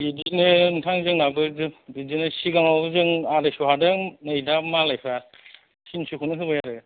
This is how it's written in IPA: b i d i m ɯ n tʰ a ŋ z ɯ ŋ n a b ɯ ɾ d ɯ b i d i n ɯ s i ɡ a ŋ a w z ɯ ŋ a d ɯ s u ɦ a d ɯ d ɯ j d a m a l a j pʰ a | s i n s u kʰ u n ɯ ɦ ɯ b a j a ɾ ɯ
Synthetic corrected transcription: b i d i n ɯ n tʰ a ŋ z ɯ ŋ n a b ɯ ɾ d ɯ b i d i n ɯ s i ɡ a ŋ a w z ɯ ŋ a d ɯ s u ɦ a d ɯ n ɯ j d a m a l a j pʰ a | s i n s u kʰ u n ɯ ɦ ɯ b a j a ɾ ɯ